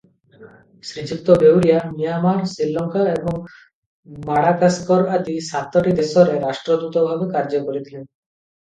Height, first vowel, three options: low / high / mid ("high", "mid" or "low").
high